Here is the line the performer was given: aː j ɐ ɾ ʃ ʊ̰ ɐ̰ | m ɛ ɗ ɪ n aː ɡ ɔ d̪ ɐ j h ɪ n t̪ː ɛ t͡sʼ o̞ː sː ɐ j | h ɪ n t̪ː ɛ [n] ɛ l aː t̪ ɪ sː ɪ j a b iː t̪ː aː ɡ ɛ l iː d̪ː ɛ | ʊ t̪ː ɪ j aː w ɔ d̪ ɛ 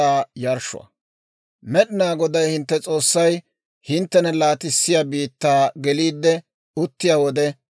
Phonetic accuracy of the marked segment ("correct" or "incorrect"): correct